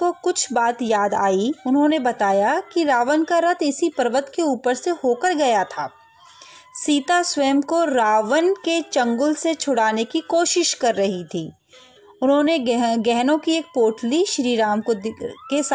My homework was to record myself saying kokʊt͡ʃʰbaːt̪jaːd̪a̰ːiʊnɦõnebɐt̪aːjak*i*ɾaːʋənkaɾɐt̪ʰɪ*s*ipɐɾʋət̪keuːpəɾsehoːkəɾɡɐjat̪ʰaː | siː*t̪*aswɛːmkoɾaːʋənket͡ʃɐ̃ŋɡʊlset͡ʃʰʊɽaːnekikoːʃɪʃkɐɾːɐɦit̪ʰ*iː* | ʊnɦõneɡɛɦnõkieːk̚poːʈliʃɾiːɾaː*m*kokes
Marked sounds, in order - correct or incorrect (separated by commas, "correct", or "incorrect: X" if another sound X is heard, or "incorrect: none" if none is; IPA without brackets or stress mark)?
correct, correct, correct, correct, correct